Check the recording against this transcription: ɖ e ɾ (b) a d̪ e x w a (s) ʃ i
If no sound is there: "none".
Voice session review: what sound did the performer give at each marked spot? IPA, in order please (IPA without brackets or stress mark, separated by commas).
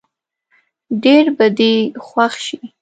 b, x